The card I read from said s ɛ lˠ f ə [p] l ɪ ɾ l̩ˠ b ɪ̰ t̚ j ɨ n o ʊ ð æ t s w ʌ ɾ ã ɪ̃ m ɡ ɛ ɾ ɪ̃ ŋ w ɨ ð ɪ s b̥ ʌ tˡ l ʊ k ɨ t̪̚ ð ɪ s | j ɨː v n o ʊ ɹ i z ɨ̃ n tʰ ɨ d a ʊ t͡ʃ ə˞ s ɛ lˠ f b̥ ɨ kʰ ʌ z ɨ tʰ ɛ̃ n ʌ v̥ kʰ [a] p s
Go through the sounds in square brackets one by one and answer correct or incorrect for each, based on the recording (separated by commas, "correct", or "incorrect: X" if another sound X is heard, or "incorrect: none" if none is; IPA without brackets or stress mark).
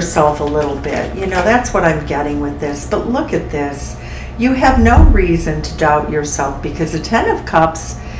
incorrect: none, incorrect: ʌ